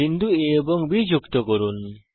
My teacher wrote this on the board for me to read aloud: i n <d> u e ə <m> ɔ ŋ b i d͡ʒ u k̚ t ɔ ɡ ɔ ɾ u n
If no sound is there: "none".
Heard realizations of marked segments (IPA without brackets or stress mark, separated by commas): d, b